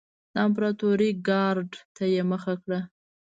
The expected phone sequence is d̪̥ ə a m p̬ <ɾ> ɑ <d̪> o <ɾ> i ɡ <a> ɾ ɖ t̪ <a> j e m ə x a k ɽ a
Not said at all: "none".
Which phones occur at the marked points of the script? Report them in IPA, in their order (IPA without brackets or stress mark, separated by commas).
ɾ, t̪, ɾ, ɑ, a